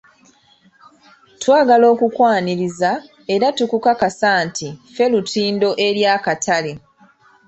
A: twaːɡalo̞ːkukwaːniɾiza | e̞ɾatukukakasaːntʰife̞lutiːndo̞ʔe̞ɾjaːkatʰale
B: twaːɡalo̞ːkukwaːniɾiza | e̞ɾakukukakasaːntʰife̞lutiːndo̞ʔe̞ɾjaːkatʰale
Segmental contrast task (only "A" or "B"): A